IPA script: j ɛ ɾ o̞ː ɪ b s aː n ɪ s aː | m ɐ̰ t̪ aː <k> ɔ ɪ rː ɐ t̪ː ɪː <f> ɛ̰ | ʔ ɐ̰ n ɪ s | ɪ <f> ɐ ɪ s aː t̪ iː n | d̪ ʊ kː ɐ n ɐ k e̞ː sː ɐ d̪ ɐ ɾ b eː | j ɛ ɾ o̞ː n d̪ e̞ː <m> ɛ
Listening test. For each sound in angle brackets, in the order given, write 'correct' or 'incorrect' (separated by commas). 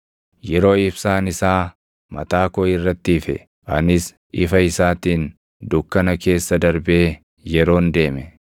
correct, correct, correct, correct